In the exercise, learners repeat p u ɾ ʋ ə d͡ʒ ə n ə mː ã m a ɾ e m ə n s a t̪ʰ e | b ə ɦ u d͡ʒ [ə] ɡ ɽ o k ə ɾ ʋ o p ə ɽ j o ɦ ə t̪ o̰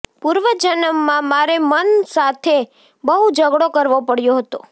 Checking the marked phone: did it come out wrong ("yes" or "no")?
no